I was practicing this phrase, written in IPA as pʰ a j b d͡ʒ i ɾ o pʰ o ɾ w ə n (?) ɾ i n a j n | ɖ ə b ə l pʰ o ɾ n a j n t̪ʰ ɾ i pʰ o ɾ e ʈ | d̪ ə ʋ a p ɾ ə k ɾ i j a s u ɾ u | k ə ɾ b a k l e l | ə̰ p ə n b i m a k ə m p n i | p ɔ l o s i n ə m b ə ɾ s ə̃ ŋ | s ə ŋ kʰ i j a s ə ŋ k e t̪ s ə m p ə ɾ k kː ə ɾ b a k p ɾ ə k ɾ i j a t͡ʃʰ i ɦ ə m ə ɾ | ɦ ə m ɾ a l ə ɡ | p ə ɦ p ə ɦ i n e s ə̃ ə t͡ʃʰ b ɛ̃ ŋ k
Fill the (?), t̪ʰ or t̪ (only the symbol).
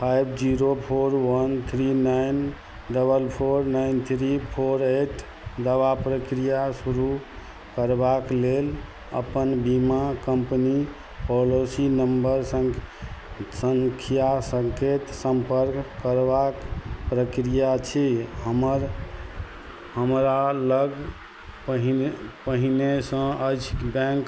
t̪ʰ